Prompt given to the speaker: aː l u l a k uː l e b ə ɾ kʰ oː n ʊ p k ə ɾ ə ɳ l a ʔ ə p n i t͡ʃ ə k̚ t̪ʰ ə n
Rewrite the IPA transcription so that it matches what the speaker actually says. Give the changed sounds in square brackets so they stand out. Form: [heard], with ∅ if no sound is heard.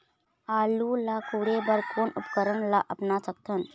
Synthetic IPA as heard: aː l u l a k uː [ɽ] e b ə ɾ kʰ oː n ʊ p k ə ɾ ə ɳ l a ʔ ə p n [a] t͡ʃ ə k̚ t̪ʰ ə n